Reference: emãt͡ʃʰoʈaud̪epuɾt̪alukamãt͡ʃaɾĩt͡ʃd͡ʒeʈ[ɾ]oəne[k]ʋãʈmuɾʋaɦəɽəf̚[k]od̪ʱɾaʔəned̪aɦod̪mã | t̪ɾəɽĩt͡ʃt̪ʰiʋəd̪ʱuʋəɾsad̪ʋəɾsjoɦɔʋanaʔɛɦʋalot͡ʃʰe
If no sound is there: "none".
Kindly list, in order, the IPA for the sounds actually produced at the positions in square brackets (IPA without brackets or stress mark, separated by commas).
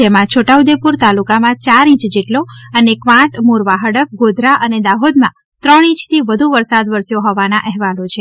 l, k, ɡ